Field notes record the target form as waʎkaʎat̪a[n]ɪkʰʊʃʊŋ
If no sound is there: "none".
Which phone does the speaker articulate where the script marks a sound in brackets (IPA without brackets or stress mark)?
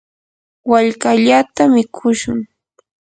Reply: m